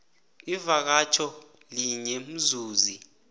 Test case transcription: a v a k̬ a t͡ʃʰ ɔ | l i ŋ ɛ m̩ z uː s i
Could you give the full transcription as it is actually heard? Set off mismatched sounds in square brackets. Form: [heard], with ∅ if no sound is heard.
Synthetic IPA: [i] v a k̬ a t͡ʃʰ ɔ | l i [ɲ] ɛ m̩ z uː [z] i